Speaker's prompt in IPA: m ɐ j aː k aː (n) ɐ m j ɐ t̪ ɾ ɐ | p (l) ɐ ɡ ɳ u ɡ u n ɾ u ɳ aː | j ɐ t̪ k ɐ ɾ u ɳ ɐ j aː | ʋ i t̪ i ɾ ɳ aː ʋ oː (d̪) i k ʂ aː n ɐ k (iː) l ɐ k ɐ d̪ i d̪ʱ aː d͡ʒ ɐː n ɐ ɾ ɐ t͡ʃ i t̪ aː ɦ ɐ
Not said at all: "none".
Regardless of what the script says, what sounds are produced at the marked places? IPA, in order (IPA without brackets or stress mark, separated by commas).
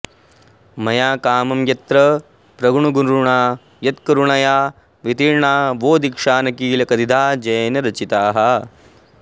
m, ɾ, d̪, iː